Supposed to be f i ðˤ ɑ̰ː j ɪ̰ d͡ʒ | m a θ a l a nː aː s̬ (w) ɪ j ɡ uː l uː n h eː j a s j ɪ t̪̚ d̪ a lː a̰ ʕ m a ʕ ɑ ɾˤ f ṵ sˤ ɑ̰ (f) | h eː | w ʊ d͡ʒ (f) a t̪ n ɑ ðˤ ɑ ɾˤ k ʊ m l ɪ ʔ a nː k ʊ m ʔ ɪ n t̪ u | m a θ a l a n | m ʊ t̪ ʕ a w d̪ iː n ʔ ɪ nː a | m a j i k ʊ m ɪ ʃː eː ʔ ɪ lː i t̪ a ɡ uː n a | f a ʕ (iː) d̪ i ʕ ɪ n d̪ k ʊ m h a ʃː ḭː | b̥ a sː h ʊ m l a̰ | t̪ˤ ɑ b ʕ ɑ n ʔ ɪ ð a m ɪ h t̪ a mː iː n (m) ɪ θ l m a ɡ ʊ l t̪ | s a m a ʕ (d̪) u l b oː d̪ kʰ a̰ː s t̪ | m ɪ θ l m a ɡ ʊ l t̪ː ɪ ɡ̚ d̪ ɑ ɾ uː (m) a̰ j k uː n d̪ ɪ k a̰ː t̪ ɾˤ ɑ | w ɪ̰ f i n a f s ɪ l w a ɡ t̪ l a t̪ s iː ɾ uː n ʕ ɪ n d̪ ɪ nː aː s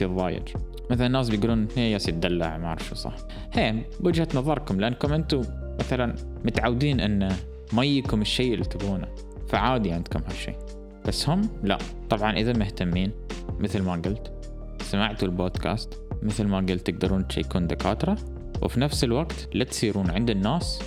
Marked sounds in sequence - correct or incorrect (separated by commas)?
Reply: incorrect, incorrect, incorrect, incorrect, correct, incorrect, incorrect